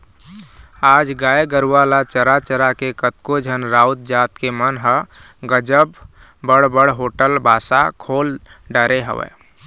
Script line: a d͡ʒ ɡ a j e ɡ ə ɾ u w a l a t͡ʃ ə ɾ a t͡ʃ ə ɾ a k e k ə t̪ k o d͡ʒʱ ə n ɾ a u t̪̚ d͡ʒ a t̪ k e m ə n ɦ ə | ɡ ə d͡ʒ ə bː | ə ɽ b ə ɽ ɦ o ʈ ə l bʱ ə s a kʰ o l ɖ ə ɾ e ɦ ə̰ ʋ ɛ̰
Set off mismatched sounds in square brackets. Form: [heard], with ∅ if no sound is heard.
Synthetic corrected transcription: a d͡ʒ ɡ a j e ɡ ə ɾ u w a l a t͡ʃ ə ɾ a t͡ʃ ə ɾ a k e k ə t̪ k o d͡ʒʱ ə n ɾ a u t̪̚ d͡ʒ a t̪ k e m ə n ɦ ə | ɡ ə d͡ʒ ə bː | ə ɽ b ə ɽ ɦ o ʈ ə l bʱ [a] s a kʰ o l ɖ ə ɾ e ɦ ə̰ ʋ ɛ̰